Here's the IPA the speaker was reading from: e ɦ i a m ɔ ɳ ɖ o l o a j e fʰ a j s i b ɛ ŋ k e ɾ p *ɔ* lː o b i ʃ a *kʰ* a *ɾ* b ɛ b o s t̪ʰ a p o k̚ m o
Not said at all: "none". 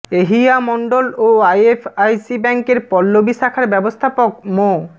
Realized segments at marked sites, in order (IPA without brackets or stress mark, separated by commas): ɔ, kʰ, ɾ